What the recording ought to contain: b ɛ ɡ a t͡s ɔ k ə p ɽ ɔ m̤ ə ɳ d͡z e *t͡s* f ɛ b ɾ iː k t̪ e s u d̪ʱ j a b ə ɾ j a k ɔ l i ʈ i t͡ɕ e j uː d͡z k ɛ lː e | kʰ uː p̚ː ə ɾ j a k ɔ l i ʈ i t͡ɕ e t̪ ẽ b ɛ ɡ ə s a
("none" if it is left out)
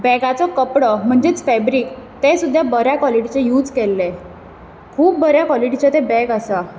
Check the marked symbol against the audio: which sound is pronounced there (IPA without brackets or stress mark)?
t͡s